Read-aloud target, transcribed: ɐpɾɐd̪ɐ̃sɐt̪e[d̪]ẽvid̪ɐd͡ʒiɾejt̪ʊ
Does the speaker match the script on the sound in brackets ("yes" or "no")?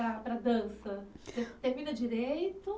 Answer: no